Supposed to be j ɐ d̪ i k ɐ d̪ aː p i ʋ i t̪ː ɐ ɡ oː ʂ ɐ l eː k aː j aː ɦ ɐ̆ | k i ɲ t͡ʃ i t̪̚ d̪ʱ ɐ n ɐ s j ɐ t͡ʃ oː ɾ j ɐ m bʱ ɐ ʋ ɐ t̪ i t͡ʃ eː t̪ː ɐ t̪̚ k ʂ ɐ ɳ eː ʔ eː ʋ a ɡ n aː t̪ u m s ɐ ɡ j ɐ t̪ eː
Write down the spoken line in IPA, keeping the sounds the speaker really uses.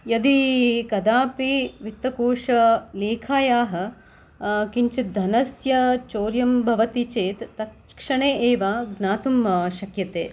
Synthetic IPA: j ɐ d̪ i k ɐ d̪ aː p i ʋ i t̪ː ɐ k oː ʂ ɐ l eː kʰ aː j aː ɦ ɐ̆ | k i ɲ t͡ʃ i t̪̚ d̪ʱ ɐ n ɐ s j ɐ t͡ʃ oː ɾ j ɐ m bʱ ɐ ʋ ɐ t̪ i t͡ʃ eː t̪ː ɐ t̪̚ k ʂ ɐ ɳ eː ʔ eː ʋ a ɡ n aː t̪ u m ʃ ɐ k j ɐ t̪ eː